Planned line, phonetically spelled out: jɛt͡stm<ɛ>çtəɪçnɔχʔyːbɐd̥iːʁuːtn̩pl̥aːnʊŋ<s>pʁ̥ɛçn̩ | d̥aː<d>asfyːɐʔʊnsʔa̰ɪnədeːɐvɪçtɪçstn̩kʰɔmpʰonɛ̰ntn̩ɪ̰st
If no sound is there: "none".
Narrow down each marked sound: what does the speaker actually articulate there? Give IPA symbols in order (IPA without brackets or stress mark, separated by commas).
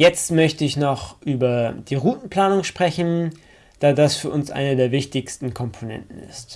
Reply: œ, ʃ, d